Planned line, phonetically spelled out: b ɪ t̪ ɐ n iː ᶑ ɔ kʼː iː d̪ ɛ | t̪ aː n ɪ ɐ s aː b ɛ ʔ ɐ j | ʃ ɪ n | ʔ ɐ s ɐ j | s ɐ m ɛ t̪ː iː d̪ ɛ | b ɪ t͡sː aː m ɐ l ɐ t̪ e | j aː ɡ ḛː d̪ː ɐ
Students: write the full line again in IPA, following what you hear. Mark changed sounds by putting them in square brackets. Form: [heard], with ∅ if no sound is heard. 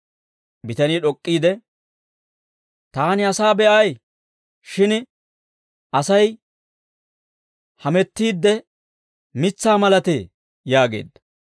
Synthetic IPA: b ɪ t̪ ɐ n iː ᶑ ɔ kʼː iː d̪ ɛ | t̪ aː n ɪ ɐ s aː b ɛ ʔ ɐ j | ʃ ɪ n | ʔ ɐ s ɐ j | [h] ɐ m ɛ t̪ː iː [d̪ː] ɛ | [m] ɪ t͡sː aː m ɐ l ɐ t̪ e | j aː ɡ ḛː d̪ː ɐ